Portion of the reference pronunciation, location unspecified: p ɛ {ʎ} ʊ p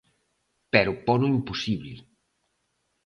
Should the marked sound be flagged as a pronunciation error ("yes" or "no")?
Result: yes